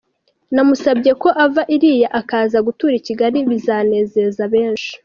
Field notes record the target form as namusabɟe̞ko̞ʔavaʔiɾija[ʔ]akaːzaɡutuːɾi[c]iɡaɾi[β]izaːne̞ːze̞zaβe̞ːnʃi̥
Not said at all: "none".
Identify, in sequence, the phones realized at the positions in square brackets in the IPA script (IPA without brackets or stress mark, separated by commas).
ʔ, c, β